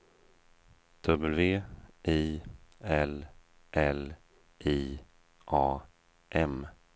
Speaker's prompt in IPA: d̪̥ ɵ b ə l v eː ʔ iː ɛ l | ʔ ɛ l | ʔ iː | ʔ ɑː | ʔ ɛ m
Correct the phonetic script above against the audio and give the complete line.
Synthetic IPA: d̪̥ ɵ b ə l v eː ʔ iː ɛ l | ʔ ɛ l | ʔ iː | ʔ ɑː | ʔ ɛ m